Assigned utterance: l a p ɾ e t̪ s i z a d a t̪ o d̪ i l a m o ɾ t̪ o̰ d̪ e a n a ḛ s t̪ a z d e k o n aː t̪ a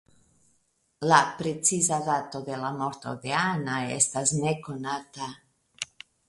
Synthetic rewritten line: l a p ɾ e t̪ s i z a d a t̪ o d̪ e l a m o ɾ t̪ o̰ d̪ e a n a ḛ s t̪ a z n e k o n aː t̪ a